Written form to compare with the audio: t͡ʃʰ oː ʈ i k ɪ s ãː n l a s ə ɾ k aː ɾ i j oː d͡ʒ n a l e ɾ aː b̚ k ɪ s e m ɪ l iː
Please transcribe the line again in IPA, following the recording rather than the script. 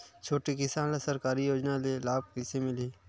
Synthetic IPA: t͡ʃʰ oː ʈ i k ɪ s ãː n l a s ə ɾ k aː ɾ i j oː d͡ʒ n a l e l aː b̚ k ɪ s e m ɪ l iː

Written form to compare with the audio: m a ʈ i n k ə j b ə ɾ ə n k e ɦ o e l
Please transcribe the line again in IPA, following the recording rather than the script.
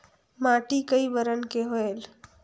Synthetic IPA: m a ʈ i k ə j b ə ɾ ə n k e ɦ o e l

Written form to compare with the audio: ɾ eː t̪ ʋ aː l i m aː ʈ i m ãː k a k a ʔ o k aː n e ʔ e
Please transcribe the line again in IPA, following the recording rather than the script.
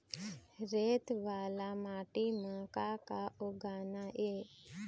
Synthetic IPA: ɾ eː t̪ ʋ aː l a m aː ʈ i m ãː k a k a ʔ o ɡ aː n a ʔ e

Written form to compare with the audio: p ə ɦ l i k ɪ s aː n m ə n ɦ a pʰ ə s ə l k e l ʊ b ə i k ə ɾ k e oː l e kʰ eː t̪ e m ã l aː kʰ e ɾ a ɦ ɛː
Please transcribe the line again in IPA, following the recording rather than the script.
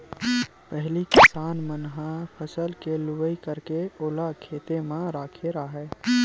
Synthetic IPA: p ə ɦ l i k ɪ s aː n m ə n ɦ a pʰ ə s ə l k e l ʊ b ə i k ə ɾ k e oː l a kʰ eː t̪ e m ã ɾ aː kʰ e ɾ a ɦ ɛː

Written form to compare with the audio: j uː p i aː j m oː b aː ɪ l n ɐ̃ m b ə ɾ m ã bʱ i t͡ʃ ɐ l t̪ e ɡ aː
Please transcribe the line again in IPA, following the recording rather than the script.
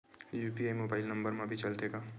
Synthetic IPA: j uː p i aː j m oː b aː ɪ l n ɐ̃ m b ə ɾ m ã bʱ i t͡ʃ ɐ l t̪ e ɡ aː

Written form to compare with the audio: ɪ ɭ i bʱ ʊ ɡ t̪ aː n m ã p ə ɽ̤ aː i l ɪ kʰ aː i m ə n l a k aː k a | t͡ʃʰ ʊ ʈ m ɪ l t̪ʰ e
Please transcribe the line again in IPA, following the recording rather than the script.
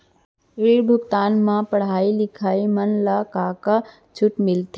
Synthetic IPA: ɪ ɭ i bʱ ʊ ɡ t̪ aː n m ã p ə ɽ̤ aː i l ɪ kʰ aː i m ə n l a k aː k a | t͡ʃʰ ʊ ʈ m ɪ l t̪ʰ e

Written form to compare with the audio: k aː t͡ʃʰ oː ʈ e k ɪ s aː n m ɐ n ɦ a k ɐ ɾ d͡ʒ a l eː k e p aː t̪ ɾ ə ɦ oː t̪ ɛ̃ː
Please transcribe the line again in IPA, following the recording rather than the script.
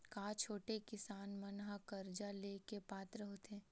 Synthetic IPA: k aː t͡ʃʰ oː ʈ e k ɪ s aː n m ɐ n ɦ a k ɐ ɾ d͡ʒ a l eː k e p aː t̪ ɾ ə ɦ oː t̪ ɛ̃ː

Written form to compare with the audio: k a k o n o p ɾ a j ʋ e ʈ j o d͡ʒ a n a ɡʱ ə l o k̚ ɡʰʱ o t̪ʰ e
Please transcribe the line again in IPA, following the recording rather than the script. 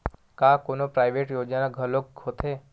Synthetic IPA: k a k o n o p ɾ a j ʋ e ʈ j o d͡ʒ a n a ɡʱ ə l o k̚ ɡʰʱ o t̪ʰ e

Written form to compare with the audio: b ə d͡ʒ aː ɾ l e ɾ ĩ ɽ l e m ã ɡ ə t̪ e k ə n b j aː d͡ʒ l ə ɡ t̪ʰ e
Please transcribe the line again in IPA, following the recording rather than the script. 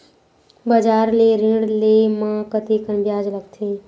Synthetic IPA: b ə d͡ʒ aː ɾ l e ɾ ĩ ɽ l e m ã k ə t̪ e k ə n b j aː d͡ʒ l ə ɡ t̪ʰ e

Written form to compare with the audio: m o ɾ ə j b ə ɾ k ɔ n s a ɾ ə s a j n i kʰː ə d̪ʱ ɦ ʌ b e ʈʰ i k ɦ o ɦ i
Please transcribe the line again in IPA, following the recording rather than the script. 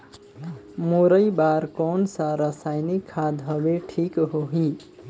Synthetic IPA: m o ɾ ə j b a ɾ k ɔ n s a ɾ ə s a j n i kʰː a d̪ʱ ɦ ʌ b e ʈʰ i k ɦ o ɦ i

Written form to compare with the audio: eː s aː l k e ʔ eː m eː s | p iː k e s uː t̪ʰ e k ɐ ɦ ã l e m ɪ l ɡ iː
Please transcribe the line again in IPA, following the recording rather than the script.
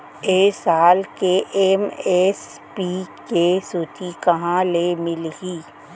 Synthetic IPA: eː s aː l k e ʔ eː m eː s | p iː k e s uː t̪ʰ i k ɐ ɦ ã l e m ɪ l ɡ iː

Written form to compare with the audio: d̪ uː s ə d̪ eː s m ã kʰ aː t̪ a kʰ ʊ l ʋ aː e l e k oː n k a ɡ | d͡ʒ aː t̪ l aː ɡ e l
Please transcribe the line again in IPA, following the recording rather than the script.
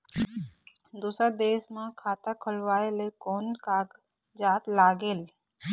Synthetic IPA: d̪ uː s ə d̪ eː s m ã kʰ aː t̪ a kʰ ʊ l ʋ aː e l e k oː n k a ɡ | d͡ʒ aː t̪ l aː ɡ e l

